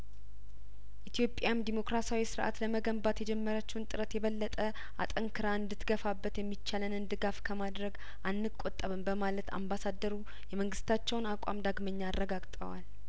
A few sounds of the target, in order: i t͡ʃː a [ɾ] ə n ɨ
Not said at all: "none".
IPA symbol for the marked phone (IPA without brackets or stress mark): l